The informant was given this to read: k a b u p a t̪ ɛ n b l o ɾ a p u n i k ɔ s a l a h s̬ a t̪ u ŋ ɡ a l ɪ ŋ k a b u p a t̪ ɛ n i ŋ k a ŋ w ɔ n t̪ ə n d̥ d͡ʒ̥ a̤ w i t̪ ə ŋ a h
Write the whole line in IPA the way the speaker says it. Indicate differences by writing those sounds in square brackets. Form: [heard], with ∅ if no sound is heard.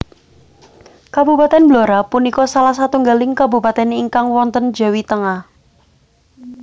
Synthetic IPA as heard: k a b u p a t̪ ɛ n b l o ɾ a p u n i k ɔ s a l a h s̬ a t̪ u ŋ ɡ a l ɪ ŋ k a b u p a t̪ ɛ n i ŋ k a ŋ w ɔ n t̪ ə n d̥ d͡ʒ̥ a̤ w i t̪ ə ŋ a h